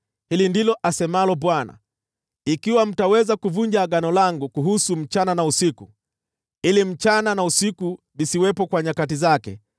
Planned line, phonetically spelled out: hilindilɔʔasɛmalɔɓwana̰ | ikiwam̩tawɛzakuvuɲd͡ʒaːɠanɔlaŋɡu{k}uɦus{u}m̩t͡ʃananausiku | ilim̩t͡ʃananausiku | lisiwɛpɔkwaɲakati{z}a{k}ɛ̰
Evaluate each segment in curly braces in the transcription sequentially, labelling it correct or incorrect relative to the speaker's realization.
correct, correct, correct, correct

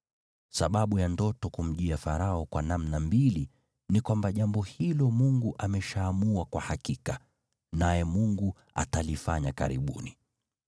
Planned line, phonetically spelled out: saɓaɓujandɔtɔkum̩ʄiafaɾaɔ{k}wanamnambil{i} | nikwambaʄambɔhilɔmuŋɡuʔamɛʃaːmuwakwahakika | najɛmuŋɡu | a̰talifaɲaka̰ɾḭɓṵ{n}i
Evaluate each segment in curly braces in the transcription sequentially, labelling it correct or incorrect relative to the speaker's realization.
correct, correct, correct

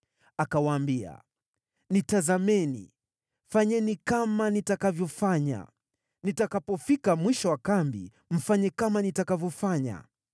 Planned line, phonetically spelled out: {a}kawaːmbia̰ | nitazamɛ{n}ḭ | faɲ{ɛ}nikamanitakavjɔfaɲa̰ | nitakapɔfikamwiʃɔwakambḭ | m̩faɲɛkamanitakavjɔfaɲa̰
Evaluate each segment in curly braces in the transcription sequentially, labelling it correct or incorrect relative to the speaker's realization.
correct, correct, correct

